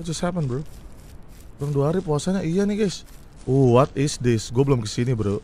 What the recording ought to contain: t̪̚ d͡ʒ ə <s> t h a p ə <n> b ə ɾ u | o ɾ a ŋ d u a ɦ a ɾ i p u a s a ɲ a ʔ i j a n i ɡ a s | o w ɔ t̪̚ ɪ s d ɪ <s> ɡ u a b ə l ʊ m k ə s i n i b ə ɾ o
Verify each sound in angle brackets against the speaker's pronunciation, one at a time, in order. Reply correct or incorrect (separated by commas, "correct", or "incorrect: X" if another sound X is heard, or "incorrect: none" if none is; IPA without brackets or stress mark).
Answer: correct, correct, correct